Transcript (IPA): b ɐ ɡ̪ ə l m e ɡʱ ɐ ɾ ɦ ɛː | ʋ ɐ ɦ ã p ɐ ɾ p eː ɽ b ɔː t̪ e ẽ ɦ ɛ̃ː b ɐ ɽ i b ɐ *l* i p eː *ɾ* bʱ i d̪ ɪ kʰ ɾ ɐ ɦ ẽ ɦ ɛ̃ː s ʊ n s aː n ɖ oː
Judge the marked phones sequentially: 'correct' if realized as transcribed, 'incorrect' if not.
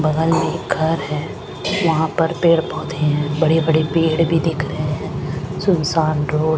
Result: incorrect, incorrect

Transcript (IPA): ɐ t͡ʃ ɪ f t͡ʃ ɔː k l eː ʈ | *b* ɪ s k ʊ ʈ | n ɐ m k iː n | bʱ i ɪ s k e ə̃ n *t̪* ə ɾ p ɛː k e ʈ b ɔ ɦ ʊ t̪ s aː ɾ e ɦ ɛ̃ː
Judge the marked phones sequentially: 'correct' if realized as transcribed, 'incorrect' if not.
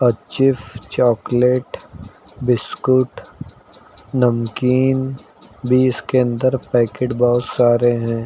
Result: correct, incorrect

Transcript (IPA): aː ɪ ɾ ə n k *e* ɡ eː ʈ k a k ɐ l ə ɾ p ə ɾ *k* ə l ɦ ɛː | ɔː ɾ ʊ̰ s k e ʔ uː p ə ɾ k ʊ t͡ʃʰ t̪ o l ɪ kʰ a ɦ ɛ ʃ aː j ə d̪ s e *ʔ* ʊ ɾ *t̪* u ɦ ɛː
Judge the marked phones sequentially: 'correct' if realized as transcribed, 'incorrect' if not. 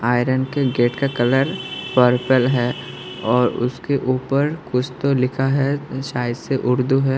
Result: correct, incorrect, correct, incorrect

